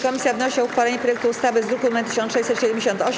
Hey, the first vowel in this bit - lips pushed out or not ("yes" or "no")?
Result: yes